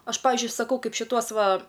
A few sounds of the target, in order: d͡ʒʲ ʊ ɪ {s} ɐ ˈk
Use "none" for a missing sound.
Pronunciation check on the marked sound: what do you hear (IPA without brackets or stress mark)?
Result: s